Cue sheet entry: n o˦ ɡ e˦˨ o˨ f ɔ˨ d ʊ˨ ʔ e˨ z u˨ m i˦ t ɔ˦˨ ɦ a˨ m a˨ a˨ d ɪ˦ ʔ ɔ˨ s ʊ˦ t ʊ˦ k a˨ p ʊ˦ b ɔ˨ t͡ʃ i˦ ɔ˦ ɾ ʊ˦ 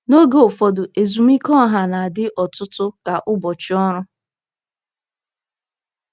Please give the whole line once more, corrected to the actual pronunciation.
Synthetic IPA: n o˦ ɡ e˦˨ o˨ f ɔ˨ d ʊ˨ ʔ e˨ z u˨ m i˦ k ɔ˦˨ ɦ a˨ n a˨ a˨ d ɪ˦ ʔ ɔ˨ t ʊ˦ t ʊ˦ k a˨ ʔ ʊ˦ b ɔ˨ t͡ʃ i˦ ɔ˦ ɾ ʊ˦